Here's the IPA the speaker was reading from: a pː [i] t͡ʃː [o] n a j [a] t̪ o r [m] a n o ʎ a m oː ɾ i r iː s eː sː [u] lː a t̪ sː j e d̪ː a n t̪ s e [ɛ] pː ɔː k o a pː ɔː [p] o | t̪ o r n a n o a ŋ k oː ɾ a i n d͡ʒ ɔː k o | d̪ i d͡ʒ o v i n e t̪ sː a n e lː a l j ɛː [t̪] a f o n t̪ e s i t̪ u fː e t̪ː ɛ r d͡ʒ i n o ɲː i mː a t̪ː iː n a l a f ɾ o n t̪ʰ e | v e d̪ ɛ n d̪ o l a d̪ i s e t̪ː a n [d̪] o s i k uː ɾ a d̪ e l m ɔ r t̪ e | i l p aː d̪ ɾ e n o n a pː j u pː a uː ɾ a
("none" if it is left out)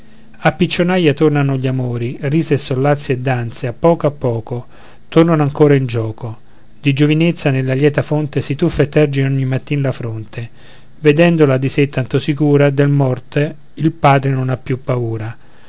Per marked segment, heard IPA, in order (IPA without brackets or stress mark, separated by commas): i, o, a, n, o, a, k, t̪, t̪